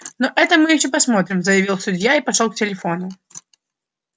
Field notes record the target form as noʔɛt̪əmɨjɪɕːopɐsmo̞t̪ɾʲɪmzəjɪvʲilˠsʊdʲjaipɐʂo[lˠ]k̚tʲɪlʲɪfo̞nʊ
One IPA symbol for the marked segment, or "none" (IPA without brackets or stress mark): lˠ